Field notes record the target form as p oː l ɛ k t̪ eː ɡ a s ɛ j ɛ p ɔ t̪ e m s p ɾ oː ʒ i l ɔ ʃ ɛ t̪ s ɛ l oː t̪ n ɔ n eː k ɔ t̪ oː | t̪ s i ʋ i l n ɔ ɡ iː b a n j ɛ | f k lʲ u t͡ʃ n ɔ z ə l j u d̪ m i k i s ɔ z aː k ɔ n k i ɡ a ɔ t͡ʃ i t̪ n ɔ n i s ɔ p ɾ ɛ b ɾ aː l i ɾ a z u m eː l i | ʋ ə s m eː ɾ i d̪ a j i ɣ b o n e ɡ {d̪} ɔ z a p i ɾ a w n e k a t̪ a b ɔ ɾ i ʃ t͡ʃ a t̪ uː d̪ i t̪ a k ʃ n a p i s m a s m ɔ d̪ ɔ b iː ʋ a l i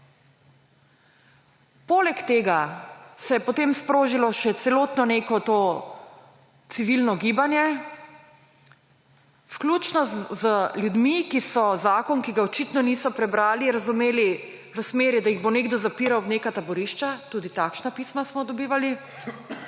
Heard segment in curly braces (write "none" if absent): d̪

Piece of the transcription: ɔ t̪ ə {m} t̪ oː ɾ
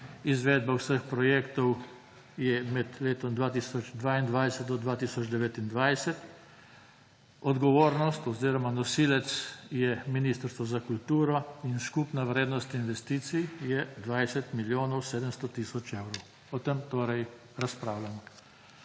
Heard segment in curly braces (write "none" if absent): m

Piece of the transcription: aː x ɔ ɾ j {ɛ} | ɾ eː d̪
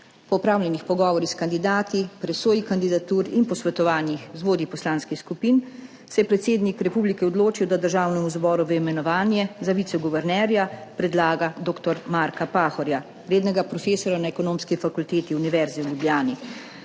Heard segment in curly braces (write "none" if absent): a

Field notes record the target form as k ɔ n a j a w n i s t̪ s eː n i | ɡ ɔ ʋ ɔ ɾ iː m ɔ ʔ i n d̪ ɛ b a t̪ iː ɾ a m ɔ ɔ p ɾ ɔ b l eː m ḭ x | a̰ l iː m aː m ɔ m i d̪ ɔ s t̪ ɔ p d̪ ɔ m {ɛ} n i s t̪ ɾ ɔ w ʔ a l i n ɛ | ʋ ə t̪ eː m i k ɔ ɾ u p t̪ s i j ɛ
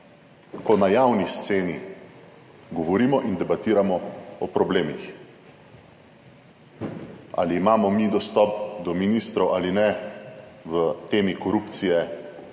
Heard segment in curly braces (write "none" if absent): i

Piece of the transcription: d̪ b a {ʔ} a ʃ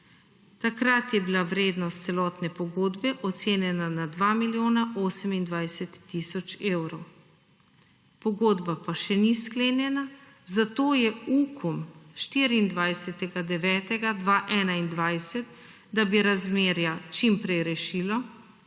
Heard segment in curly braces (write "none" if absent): p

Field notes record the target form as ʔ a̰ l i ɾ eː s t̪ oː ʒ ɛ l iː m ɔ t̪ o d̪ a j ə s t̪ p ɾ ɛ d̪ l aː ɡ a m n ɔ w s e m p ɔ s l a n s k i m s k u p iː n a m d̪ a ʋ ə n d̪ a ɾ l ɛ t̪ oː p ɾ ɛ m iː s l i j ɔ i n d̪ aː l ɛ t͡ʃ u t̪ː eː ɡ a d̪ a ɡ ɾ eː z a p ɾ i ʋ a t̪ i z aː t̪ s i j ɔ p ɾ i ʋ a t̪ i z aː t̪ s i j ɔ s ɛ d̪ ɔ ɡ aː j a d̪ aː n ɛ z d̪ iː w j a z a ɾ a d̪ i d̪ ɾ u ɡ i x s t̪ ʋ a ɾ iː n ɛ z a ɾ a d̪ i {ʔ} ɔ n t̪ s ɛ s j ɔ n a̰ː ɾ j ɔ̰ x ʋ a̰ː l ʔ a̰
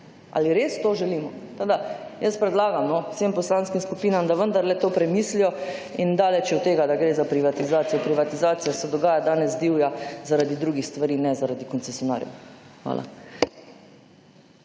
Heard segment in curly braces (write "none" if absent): k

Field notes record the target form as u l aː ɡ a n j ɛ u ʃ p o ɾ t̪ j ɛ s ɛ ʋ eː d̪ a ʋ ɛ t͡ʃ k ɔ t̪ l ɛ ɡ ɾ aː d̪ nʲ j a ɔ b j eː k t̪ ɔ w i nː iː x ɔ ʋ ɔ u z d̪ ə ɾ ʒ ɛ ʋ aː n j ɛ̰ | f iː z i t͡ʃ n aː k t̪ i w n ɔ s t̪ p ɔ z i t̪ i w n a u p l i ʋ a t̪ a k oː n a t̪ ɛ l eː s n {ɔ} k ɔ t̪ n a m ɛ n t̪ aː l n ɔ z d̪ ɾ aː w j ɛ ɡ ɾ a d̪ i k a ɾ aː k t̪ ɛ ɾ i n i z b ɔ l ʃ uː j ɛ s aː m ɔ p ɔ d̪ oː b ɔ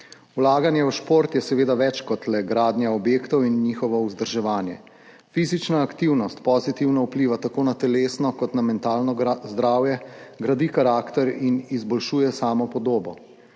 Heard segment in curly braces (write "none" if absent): ɔ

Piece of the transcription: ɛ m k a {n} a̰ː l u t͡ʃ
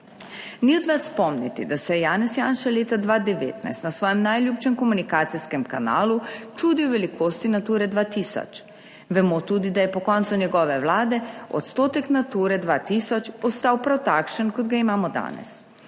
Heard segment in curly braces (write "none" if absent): n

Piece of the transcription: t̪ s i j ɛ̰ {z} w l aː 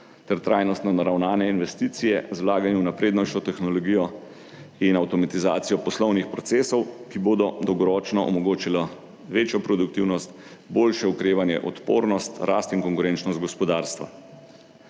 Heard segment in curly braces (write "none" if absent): z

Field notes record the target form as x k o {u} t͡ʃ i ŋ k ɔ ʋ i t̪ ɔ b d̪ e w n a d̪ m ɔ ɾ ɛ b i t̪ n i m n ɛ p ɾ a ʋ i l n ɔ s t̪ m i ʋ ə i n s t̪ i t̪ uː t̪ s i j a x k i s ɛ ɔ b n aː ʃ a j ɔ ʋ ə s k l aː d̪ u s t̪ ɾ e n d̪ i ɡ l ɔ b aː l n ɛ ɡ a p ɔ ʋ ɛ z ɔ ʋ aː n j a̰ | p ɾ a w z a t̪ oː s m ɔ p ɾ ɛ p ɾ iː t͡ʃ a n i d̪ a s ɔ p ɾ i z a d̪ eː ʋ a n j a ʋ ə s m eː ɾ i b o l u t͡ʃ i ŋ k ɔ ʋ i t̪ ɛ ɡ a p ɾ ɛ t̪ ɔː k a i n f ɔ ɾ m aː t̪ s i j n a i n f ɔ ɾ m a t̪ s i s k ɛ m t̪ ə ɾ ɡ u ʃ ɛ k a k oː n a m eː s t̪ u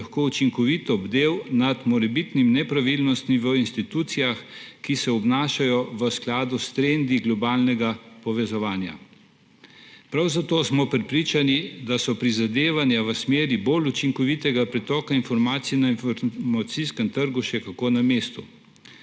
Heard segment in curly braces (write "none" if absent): u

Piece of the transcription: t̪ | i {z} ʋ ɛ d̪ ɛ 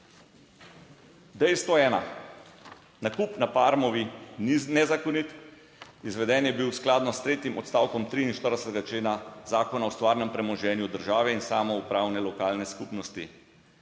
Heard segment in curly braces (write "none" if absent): z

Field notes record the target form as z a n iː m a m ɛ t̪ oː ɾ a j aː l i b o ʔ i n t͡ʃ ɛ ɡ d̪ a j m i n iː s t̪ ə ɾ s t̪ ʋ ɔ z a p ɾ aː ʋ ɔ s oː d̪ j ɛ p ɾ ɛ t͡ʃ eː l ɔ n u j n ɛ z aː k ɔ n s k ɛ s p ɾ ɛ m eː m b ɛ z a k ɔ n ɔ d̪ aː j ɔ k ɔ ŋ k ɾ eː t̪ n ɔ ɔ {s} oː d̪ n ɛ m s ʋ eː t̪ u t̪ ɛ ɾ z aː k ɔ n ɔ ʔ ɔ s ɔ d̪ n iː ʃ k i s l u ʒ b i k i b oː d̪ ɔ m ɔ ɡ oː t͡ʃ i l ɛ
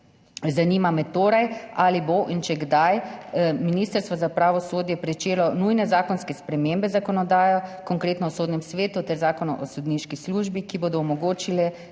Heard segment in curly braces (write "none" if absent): s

